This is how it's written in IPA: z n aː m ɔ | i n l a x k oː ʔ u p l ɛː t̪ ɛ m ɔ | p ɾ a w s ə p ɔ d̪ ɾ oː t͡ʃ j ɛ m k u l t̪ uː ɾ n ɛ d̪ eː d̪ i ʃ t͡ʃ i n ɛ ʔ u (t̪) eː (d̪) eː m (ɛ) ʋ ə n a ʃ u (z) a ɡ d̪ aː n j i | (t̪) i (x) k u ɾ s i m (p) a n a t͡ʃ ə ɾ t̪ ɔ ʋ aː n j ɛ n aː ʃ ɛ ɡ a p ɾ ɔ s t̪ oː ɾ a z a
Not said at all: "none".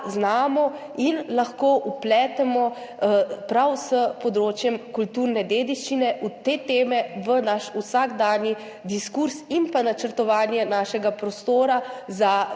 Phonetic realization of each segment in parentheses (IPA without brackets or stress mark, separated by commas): t̪, t̪, ɛ, s, d̪, s, p